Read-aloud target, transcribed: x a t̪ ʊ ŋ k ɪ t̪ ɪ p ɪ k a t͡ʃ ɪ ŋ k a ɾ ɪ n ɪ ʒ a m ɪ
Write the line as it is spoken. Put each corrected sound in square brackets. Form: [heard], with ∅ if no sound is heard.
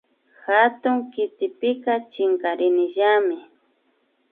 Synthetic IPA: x a t̪ ʊ ŋ k ɪ t̪ ɪ p ɪ k a t͡ʃ ɪ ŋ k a ɾ ɪ n ɪ ʒ a m ɪ